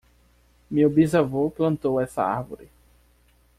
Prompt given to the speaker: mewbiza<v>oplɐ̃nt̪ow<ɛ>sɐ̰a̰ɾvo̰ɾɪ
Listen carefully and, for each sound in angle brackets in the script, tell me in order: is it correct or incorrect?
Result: correct, correct

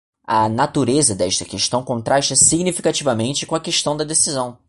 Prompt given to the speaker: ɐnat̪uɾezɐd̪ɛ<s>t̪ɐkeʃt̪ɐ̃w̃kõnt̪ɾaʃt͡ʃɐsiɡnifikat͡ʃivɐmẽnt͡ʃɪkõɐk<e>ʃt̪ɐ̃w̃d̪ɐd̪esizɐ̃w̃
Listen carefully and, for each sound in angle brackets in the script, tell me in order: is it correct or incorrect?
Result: incorrect, correct

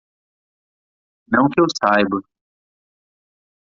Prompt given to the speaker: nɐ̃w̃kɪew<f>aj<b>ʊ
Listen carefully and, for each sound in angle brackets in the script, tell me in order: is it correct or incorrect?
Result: incorrect, correct

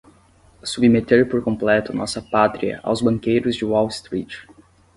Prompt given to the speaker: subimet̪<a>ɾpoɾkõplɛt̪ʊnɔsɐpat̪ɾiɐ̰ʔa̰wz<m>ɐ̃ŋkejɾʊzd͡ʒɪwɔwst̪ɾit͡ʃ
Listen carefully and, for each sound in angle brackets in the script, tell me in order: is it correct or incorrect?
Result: incorrect, incorrect

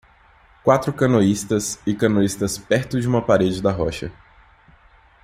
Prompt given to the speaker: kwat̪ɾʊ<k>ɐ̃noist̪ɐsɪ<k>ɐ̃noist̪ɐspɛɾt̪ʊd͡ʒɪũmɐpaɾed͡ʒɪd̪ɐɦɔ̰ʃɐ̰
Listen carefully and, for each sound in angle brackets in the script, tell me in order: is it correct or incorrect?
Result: correct, correct

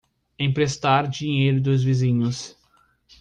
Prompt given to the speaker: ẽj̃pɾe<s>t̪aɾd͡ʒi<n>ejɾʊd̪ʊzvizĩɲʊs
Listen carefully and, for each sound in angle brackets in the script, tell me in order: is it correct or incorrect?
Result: correct, incorrect

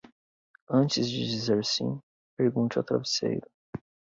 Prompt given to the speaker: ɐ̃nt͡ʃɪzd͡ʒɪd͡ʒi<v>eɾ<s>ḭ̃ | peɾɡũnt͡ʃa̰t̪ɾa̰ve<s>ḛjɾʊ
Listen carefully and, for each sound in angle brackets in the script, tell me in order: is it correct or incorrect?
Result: incorrect, correct, correct

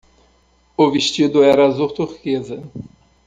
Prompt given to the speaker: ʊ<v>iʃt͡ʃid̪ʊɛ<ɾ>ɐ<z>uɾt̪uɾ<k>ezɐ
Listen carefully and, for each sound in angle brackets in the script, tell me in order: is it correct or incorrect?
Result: correct, correct, correct, correct

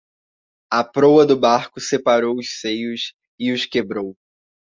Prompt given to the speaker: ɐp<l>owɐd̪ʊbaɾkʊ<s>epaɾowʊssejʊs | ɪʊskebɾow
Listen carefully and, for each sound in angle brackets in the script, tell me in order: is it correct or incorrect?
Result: incorrect, correct

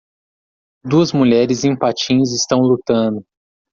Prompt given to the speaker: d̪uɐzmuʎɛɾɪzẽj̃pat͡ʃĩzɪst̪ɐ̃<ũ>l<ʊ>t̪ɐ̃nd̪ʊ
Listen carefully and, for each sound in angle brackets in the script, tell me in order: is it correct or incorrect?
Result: incorrect, incorrect

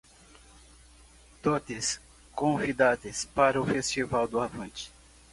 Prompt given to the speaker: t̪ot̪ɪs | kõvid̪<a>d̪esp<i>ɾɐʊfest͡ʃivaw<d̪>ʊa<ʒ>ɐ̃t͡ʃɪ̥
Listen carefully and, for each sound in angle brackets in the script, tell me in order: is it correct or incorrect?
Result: correct, incorrect, correct, incorrect

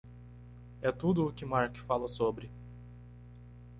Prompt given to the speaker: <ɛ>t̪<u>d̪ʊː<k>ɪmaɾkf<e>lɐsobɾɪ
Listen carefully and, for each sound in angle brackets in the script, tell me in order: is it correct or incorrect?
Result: correct, correct, correct, incorrect

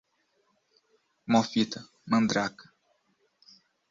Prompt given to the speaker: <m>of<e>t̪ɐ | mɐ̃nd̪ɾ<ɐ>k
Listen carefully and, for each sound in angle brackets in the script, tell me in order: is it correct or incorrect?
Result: correct, incorrect, incorrect

